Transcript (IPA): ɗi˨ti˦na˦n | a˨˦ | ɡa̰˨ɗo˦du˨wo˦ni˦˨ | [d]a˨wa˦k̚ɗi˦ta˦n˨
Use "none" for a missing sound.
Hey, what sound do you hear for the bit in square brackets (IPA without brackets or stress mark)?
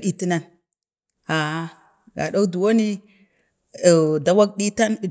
d